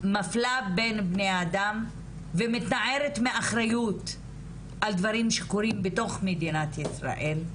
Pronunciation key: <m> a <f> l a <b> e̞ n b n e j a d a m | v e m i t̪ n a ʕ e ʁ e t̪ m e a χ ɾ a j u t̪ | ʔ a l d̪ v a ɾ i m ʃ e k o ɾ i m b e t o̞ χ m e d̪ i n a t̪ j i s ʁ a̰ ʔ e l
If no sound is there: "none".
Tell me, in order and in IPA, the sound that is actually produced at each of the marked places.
m, f, b

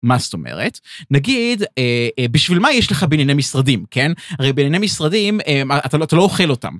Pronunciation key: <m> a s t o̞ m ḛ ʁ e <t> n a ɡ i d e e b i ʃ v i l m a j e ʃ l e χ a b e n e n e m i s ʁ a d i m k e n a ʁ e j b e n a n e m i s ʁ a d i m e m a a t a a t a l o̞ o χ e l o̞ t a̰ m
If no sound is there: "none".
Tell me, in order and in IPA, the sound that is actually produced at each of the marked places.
m, t

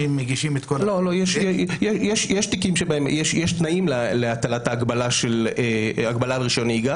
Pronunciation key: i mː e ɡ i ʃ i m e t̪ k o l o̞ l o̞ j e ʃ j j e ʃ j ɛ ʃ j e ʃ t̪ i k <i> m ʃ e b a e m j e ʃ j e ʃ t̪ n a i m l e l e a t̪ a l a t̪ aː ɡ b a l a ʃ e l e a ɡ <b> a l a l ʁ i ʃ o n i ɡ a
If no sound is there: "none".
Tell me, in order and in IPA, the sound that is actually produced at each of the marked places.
i, b

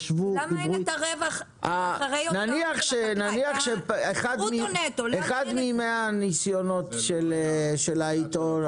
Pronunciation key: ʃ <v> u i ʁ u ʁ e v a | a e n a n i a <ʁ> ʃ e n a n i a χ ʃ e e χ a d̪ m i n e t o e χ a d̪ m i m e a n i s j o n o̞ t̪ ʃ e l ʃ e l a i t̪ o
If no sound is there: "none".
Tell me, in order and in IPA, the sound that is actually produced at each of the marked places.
v, χ

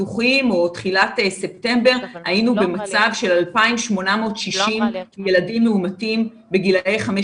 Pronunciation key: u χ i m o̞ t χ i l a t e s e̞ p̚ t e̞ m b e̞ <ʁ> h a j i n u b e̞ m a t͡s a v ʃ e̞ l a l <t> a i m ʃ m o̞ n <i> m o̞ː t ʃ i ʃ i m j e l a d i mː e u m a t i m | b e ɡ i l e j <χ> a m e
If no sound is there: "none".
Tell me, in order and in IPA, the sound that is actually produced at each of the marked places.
ʁ, p, a, χ

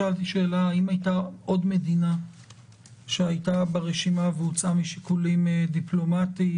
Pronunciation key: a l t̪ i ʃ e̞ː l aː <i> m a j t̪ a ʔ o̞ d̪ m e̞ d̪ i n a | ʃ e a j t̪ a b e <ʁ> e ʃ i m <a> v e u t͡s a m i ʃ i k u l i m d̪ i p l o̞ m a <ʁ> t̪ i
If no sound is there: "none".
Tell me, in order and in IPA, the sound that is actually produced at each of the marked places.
i, ʁ, a, none

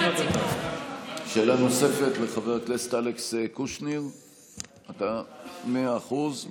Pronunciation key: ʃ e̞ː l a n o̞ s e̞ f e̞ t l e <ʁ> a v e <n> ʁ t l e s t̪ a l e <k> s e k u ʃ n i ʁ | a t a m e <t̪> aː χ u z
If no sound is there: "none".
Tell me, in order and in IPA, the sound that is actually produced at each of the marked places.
χ, none, k, none

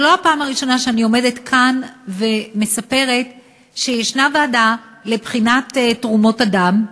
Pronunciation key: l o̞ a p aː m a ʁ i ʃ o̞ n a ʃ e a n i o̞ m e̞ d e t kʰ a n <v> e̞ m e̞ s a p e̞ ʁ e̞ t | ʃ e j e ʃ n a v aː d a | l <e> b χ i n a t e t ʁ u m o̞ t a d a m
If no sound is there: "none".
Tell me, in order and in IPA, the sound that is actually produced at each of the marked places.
v, e

